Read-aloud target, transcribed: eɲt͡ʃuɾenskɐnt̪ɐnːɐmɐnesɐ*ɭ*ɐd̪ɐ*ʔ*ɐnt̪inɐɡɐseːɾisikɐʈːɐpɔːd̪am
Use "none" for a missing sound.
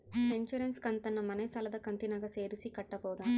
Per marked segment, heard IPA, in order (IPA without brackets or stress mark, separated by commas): l, k